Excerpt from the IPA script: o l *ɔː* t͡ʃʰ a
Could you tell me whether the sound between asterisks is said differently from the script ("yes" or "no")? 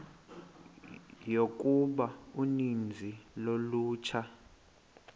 yes